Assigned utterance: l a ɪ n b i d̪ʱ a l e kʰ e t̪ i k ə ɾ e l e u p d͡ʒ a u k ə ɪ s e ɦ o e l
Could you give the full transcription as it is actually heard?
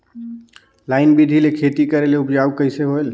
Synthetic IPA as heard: l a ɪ n b i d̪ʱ i l e kʰ e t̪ i k ə ɾ e l e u p d͡ʒ a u k ə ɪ s e ɦ o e l